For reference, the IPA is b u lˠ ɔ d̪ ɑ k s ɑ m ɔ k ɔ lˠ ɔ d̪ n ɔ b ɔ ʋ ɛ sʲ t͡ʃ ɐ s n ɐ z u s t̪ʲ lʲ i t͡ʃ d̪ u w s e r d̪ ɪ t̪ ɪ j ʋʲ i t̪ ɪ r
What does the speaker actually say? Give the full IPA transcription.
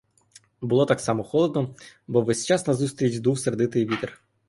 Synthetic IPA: b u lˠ ɔ t̪ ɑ k s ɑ m ɔ x ɔ lˠ ɔ d̪ n ɔ b ɔ ʋ ɛ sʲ t͡ʃ ɑ s n ɐ z u s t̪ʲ ɾʲ i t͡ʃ d̪ u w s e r d̪ ɪ t̪ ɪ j ʋʲ i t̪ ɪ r